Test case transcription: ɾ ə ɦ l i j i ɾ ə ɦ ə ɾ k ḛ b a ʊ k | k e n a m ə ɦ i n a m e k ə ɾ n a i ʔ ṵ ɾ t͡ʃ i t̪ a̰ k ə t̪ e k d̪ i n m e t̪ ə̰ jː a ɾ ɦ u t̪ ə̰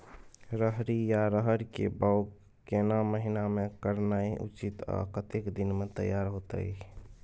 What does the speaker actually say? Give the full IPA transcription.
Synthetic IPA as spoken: ɾ ə ɦ ɾ i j a ɾ ə ɦ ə ɾ k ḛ b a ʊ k | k e n a m ə ɦ i n a m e k ə ɾ n a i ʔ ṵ t͡ʃ i t̪ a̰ k ə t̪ e k d̪ i n m e t̪ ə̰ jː a ɾ ɦ o t̪ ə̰